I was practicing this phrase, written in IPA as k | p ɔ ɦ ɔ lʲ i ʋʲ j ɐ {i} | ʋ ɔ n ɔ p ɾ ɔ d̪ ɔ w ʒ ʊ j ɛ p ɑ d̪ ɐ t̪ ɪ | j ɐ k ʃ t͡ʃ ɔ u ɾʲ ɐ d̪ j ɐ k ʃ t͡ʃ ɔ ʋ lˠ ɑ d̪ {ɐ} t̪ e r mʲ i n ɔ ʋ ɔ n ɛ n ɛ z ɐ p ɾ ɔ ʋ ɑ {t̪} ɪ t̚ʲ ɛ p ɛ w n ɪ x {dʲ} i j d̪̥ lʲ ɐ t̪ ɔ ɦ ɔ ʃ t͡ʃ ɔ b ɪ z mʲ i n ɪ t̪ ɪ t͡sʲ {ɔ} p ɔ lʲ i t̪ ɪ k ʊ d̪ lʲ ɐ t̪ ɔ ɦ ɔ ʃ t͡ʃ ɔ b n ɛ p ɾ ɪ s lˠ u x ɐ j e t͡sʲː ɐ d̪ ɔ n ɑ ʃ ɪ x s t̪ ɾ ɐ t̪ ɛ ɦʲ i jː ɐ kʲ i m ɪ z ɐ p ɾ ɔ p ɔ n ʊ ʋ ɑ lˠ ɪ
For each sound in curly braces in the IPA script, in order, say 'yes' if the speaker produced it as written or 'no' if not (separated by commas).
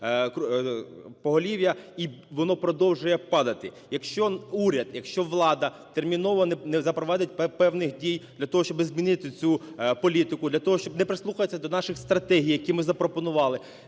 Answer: yes, yes, no, yes, no